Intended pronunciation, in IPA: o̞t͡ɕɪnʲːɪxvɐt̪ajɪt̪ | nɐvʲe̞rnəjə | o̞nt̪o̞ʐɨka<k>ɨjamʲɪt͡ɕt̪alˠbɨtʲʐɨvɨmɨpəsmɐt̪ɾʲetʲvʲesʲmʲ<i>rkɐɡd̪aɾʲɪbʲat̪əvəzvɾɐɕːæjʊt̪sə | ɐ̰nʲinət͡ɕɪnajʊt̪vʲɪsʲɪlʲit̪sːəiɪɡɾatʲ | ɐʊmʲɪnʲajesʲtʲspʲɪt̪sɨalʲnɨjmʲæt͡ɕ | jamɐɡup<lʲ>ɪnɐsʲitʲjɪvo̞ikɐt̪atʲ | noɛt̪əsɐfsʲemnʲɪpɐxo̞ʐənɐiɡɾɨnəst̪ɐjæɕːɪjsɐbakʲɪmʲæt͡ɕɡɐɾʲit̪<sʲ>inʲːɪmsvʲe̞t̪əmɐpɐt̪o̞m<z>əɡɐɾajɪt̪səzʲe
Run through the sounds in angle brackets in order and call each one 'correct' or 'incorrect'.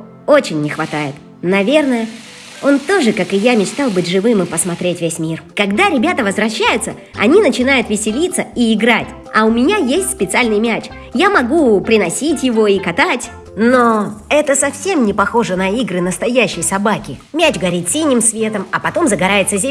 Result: correct, correct, incorrect, correct, correct

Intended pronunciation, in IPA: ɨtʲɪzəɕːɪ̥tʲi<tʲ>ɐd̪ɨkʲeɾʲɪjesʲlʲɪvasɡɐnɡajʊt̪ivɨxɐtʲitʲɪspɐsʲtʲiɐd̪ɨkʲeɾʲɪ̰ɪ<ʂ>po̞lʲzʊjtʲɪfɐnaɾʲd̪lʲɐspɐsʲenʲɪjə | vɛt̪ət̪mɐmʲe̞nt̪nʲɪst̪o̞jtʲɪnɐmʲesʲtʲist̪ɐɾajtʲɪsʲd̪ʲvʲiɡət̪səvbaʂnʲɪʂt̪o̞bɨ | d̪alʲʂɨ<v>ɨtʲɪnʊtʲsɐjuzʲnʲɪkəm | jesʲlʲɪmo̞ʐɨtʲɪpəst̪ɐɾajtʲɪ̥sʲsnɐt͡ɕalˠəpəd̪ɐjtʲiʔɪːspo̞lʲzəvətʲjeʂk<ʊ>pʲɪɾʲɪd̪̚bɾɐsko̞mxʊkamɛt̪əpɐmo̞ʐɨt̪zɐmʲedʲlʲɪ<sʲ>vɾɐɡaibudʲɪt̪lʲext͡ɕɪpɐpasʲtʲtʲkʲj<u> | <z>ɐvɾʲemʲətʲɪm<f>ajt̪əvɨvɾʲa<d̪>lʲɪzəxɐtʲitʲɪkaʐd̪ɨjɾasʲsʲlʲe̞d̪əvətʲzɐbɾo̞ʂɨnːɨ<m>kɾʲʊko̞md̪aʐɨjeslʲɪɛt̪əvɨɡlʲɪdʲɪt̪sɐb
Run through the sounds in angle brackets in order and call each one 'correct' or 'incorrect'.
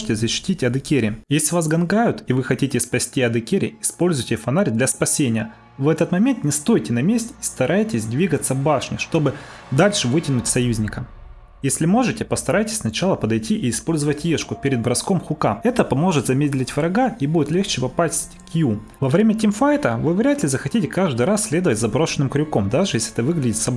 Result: correct, incorrect, correct, correct, incorrect, correct, incorrect, correct, incorrect, correct

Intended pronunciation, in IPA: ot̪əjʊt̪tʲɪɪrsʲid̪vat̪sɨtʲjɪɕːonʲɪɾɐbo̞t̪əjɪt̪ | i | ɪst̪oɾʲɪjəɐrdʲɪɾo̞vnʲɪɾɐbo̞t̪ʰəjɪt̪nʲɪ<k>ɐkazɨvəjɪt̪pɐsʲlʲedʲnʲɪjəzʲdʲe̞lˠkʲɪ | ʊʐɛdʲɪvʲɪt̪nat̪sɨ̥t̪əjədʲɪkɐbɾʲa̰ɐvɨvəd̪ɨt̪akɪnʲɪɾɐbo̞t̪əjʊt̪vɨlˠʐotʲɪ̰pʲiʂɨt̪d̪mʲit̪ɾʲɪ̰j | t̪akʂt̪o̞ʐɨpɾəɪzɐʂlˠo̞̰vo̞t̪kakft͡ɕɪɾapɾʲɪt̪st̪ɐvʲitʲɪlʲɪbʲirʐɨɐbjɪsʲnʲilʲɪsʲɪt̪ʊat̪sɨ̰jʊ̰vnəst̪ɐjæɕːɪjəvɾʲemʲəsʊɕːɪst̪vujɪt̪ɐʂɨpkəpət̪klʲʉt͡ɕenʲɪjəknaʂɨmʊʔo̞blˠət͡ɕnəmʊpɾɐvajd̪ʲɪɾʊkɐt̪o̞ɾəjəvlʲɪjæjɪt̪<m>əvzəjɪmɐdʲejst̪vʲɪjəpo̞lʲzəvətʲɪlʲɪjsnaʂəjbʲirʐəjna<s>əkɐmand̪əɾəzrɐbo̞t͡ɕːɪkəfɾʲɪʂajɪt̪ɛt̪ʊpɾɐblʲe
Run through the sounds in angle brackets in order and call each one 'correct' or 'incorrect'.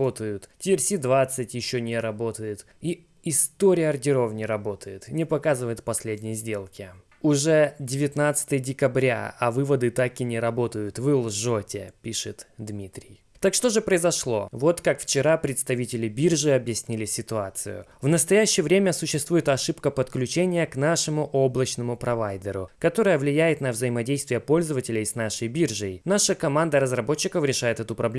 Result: incorrect, incorrect, incorrect

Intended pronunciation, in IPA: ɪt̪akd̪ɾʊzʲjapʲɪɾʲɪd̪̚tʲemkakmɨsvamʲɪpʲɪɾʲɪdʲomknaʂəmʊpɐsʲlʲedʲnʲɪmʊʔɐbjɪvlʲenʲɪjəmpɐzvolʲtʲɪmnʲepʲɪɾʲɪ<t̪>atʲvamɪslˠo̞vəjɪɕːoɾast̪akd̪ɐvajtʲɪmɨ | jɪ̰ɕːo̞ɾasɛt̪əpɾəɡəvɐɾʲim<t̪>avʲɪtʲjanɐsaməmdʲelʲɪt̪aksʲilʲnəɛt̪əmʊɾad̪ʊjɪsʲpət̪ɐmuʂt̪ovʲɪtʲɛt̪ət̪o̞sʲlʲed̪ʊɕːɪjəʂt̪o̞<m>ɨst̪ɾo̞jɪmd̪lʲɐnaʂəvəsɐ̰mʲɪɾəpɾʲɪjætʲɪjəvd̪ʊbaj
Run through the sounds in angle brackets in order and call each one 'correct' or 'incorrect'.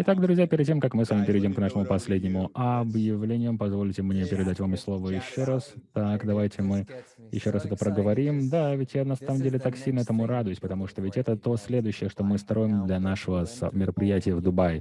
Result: incorrect, incorrect, correct

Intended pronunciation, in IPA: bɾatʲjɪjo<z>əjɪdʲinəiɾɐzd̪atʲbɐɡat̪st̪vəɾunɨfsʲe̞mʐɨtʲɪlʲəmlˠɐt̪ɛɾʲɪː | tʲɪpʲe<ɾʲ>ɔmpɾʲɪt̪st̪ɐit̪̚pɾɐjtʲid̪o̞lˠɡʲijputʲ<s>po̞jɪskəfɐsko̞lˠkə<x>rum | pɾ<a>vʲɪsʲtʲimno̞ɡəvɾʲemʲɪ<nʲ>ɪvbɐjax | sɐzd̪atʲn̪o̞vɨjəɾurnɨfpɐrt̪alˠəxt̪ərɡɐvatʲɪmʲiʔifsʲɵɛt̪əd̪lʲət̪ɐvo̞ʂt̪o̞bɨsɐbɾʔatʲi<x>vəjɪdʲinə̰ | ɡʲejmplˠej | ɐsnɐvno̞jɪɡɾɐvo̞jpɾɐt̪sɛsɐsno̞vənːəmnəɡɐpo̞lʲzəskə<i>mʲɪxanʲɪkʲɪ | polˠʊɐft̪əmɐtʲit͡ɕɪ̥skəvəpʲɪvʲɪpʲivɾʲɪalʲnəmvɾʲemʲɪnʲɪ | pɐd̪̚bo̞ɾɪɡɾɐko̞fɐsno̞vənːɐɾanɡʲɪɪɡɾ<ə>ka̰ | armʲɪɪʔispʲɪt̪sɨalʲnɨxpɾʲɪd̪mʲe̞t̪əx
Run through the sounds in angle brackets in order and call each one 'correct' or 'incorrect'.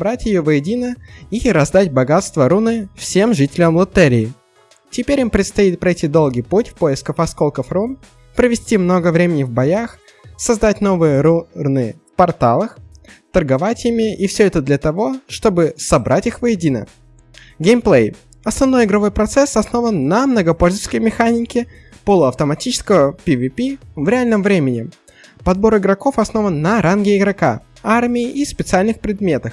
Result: incorrect, correct, incorrect, incorrect, incorrect, correct, correct, incorrect, incorrect

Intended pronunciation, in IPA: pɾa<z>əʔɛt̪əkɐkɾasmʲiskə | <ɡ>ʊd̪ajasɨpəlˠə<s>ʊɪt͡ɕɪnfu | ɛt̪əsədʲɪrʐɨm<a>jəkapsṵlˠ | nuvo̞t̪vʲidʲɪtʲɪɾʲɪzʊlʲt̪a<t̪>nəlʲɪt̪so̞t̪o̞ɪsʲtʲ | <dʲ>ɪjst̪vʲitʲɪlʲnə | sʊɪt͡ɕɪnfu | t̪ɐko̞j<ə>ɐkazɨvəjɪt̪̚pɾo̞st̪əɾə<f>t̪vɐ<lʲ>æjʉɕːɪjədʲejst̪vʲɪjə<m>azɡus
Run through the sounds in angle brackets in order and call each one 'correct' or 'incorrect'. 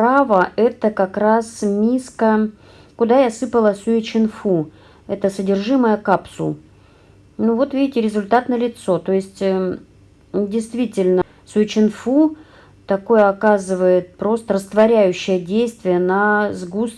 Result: incorrect, incorrect, correct, incorrect, correct, correct, correct, incorrect, incorrect, incorrect

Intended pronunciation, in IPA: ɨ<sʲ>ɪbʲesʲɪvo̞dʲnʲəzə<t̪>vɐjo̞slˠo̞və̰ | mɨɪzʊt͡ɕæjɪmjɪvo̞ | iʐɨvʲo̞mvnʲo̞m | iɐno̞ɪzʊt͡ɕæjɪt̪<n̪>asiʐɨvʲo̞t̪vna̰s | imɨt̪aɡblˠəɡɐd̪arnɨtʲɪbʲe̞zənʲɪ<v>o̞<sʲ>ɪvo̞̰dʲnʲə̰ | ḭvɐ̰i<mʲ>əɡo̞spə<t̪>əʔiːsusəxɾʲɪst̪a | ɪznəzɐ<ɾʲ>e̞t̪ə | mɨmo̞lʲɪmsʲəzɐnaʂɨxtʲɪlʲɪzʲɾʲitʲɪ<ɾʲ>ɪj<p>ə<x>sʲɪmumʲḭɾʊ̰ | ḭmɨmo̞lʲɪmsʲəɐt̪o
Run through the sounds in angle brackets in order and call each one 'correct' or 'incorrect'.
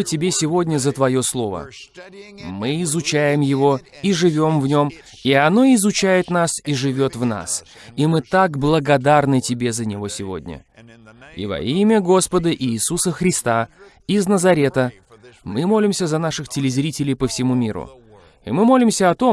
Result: incorrect, correct, correct, correct, correct, correct, incorrect, correct, incorrect, correct, incorrect

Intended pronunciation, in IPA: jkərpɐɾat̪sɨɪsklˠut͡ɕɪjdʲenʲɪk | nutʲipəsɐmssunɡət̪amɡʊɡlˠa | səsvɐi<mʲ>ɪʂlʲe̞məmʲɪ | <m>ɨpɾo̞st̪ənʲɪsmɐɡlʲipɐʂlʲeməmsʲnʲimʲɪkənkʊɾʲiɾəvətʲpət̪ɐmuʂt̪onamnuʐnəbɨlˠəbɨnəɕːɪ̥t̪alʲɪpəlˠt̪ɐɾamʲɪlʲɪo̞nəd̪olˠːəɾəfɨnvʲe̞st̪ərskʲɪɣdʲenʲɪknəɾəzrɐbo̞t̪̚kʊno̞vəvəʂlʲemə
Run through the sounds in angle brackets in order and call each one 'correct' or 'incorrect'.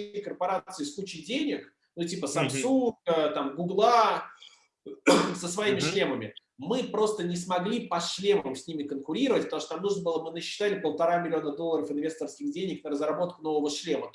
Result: correct, correct

